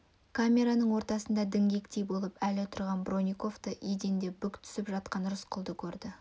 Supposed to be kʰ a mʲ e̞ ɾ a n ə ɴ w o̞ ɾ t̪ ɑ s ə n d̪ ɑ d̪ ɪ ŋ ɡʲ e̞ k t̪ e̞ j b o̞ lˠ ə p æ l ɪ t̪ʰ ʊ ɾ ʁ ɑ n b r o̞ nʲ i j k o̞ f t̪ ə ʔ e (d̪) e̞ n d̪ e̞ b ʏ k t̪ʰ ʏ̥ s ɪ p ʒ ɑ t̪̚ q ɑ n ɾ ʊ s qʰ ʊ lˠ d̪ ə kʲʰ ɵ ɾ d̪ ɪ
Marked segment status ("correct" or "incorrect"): correct